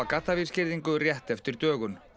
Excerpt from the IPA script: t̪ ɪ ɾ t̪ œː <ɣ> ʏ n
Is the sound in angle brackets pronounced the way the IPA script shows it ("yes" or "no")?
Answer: yes